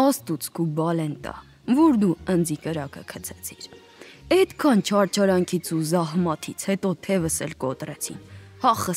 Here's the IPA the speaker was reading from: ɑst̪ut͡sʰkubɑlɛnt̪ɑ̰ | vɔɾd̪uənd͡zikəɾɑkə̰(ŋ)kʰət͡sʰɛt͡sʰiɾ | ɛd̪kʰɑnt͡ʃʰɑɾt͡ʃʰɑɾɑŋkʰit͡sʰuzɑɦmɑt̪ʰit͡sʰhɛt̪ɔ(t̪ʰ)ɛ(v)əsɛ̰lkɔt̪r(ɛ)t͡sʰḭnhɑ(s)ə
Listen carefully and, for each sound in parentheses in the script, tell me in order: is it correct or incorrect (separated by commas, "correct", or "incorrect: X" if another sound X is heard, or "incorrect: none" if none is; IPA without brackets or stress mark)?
incorrect: none, correct, correct, correct, incorrect: χ